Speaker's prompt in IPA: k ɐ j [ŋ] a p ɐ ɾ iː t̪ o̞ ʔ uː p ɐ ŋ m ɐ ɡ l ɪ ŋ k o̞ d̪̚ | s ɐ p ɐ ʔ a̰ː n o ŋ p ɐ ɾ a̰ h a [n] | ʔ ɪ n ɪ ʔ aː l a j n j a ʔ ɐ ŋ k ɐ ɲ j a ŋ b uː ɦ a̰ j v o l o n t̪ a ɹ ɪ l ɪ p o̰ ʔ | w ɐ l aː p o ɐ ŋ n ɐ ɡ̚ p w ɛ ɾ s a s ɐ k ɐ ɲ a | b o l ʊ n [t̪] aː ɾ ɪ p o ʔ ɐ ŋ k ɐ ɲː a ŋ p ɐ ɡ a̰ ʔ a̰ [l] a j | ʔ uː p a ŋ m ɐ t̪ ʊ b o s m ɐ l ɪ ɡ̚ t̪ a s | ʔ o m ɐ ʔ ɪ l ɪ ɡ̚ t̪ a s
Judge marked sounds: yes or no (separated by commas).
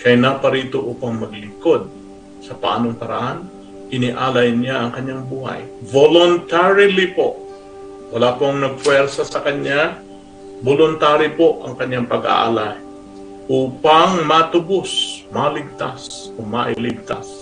no, yes, yes, yes